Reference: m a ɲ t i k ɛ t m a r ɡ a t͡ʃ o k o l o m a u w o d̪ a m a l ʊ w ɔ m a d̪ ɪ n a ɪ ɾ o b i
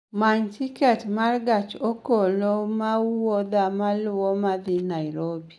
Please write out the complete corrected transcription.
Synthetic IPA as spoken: m a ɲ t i k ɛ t m a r ɡ a t͡ʃ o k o l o m a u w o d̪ a m a l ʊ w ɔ m a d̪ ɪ n a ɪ ɾ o b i

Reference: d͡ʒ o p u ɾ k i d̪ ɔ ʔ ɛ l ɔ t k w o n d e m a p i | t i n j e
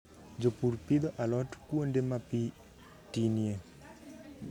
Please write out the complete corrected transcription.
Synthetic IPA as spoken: d͡ʒ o p u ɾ p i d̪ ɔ ʔ a l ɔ t k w o n d e m a p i | t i n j e

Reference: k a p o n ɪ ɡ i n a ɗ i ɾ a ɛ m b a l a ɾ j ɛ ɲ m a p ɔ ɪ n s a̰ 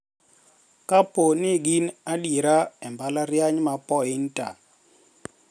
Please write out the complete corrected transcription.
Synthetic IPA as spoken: k a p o n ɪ ɡ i n a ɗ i ɾ a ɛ m b a l a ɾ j a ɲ m a p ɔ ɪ n t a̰

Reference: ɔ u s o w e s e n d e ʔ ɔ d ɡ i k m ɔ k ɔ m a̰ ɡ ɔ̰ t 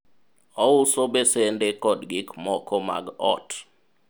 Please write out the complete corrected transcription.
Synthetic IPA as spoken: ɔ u s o b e s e n d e k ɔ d ɡ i k m ɔ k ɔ m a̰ ɡ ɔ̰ t

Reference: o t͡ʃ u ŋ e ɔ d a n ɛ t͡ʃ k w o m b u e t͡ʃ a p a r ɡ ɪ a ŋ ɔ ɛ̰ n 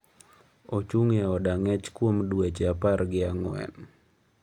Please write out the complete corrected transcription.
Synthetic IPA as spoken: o t͡ʃ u ŋ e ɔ d a ŋ ɛ t͡ʃ k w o m d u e t͡ʃ a p a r ɡ ɪ a ŋ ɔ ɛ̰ n

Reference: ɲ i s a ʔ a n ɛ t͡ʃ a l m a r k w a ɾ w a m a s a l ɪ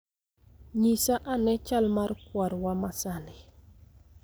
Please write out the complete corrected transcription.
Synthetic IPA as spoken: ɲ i s a ʔ a n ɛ t͡ʃ a l m a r k w a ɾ w a m a s a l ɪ

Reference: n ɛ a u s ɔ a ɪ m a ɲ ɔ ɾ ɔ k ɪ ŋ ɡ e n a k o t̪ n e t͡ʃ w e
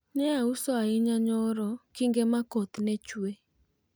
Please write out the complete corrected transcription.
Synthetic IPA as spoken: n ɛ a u s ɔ a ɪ ɲ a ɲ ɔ ɾ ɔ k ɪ ŋ ɡ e m a k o t̪ n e t͡ʃ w e

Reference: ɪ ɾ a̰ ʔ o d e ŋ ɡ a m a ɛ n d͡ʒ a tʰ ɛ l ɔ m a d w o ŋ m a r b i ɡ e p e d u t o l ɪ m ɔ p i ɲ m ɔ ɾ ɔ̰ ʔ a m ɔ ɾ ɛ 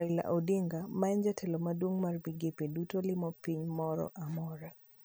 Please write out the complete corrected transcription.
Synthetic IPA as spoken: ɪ l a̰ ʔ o d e ŋ ɡ a m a ɛ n d͡ʒ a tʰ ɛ l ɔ m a d w o ŋ m a r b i ɡ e p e d u t o l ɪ m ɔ p i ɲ m ɔ ɾ ɔ̰ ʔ a m ɔ ɾ a

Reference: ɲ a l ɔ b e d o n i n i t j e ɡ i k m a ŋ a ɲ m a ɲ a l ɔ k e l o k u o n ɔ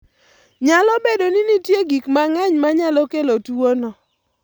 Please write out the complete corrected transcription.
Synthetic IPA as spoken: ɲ a l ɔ b e d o n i n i t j e ɡ i k m a ŋ a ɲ m a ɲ a l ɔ k e l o t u o n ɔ

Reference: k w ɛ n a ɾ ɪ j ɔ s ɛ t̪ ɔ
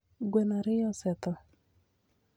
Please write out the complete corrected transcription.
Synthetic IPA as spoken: ɡ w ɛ n a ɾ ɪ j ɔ s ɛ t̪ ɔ

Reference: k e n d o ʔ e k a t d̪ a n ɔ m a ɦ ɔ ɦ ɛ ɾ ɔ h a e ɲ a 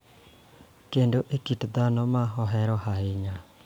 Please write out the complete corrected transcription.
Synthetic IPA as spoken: k e n d o ʔ e k i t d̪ a n ɔ m a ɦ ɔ ɦ ɛ ɾ ɔ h a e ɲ a

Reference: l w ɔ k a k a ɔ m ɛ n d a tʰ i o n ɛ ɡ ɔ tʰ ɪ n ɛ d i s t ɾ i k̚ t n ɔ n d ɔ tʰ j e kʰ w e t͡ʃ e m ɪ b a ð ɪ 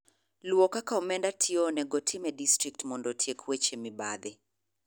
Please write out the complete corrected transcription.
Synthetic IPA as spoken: l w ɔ k a k a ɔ m ɛ n d a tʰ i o n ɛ ɡ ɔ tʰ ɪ m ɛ d i s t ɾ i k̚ t m ɔ n d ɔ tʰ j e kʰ w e t͡ʃ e m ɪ b a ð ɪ

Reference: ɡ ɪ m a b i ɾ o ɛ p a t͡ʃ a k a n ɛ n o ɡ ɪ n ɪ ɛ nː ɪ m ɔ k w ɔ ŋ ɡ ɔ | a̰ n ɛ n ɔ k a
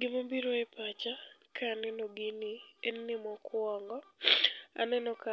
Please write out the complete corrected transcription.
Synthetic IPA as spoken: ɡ ɪ m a b i ɾ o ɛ p a t͡ʃ a k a n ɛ n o ɡ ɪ n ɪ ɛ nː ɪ m ɔ k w ɔ ŋ ɡ ɔ | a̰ n ɛ n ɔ k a

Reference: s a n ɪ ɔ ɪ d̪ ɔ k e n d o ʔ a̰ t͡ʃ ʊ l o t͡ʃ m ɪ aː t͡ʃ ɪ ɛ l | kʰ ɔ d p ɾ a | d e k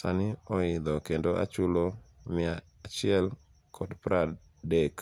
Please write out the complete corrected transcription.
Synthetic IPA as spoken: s a n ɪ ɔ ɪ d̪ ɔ k e n d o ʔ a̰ t͡ʃ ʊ l o m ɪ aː t͡ʃ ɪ ɛ l | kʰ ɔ d p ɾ a | d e k

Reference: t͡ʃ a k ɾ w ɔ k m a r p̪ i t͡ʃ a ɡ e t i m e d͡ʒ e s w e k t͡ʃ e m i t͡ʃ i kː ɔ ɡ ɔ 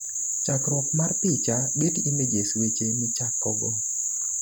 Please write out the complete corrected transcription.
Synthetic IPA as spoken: t͡ʃ a k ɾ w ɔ k m a r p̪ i t͡ʃ a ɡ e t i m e d͡ʒ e s w e t͡ʃ e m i t͡ʃ a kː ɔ ɡ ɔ

